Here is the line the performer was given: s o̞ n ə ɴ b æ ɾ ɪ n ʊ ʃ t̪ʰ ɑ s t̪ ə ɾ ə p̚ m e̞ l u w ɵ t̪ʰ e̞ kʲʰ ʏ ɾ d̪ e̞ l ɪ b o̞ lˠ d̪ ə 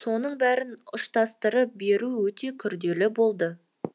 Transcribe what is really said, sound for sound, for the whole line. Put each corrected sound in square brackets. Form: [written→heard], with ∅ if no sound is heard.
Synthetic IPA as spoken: s o̞ n ə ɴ b æ ɾ ɪ n ʊ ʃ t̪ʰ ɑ s t̪ ə ɾ ə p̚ [m→b] e̞ [l→ɾ] u w ɵ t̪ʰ e̞ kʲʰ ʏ ɾ d̪ e̞ l ɪ b o̞ lˠ d̪ ə